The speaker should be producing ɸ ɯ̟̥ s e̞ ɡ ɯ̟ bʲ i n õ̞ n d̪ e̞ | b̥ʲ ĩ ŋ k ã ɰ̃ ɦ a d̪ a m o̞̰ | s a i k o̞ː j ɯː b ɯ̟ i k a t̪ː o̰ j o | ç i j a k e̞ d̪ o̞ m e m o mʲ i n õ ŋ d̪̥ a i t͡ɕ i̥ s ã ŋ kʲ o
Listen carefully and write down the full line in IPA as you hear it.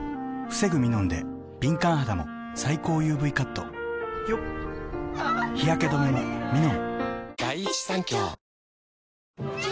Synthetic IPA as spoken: ɸ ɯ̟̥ s e̞ ɡ ɯ̟ mʲ i n õ̞ n d̪ e̞ | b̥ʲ ĩ ŋ k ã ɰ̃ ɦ a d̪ a m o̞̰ | s a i k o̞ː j ɯː b ɯ̟ i k a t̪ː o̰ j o | ç i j a k e̞ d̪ o̞ m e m o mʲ i n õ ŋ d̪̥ a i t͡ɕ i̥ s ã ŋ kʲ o

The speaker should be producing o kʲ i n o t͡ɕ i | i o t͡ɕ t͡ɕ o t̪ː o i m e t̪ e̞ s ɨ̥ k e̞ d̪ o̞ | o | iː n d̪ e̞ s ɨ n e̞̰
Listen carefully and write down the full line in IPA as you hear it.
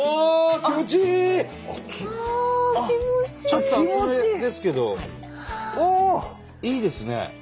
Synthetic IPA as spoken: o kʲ i m o t͡ɕ i | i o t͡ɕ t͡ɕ o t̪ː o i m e d̪ e̞ s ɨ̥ k e̞ d̪ o̞ | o | iː d̪ e̞ s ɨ n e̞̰

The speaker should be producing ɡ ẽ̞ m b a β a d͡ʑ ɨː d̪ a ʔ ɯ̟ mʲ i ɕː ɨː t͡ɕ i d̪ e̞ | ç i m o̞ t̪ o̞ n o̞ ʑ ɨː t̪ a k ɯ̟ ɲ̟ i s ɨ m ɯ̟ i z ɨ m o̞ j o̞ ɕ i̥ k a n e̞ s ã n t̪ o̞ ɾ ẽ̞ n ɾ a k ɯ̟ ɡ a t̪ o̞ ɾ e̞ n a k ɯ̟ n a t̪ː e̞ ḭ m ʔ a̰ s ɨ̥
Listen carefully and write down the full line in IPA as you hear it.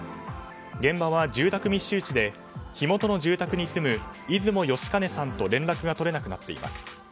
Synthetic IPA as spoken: ɡ ẽ̞ m b a β a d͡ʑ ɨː t̪ a k ɯ̟ mʲ i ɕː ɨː t͡ɕ i d̪ e̞ | ç i m o̞ t̪ o̞ n o̞ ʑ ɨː t̪ a k ɯ̟ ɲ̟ i s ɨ m ɯ̟ i z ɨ m o̞ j o̞ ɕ i̥ k a n e̞ s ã n t̪ o̞ ɾ ẽ̞ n ɾ a k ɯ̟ ɡ a t̪ o̞ ɾ e̞ n a k ɯ̟ n a t̪ː e̞ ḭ m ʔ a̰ s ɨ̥

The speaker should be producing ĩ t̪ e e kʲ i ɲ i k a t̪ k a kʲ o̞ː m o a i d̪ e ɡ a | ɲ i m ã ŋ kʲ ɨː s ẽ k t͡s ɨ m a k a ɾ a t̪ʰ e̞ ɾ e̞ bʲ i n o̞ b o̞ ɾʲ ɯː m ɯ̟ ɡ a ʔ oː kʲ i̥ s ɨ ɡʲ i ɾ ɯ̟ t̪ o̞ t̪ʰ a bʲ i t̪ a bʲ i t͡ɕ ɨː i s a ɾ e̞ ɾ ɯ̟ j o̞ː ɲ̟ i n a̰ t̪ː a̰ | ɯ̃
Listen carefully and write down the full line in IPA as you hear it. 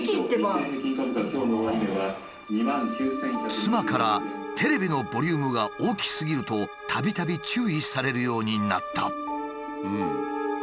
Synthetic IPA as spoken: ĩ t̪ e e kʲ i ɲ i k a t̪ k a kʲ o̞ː n o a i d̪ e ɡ a | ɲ i m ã ŋ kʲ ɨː s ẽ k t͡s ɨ m a k a ɾ a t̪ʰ e̞ ɾ e̞ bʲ i n o̞ b o̞ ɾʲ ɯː m ɯ̟ ɡ a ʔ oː kʲ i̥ s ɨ ɡʲ i ɾ ɯ̟ t̪ o̞ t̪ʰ a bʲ i t̪ a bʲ i t͡ɕ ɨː i s a ɾ e̞ ɾ ɯ̟ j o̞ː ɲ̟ i n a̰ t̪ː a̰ | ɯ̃

